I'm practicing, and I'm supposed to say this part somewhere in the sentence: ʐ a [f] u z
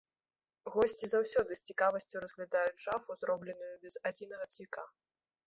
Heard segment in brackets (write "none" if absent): f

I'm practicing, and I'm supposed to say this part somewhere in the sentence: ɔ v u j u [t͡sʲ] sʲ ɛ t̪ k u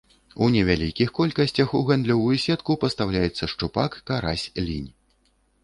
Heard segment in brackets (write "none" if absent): none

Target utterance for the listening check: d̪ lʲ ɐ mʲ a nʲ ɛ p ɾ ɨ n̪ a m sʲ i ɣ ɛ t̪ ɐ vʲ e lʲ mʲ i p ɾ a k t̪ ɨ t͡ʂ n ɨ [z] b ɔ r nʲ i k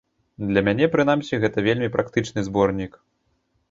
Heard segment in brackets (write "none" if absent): z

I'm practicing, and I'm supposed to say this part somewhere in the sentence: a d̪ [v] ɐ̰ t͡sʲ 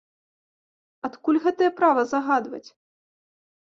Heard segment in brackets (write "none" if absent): v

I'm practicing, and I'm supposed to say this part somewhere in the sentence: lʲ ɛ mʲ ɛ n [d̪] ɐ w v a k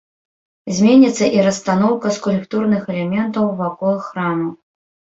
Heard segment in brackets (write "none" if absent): t̪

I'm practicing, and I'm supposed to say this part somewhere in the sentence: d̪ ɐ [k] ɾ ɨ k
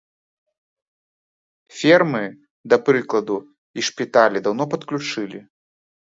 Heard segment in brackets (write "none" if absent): p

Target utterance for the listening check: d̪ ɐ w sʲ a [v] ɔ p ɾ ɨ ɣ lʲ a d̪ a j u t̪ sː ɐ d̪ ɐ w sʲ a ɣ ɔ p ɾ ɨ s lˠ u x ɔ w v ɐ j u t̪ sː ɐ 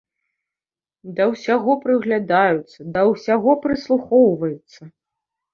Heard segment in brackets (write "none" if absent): ɣ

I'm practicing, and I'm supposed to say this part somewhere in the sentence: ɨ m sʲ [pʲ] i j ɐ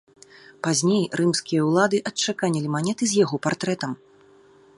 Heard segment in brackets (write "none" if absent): kʲ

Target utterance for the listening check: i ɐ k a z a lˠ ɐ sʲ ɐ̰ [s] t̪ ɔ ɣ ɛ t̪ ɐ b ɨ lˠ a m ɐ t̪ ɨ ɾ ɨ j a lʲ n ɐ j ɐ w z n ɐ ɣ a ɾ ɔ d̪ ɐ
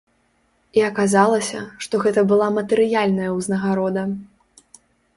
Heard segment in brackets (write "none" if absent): ʂ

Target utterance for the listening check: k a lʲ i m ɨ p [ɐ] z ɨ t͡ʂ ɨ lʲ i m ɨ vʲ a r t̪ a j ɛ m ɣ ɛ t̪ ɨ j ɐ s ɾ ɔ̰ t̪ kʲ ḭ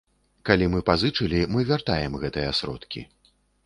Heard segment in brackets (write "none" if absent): a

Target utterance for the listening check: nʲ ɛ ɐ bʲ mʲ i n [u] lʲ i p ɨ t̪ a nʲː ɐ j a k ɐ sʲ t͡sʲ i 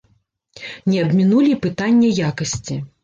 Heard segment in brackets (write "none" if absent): u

